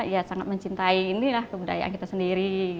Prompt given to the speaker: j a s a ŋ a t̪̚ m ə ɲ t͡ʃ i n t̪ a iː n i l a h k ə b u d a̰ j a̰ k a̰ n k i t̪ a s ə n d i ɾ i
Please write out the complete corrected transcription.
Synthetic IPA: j a s a ŋ a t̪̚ m ə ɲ t͡ʃ i n t̪ a iː n i l a h k ə b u d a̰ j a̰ ʔ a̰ n k i t̪ a s ə n d i ɾ i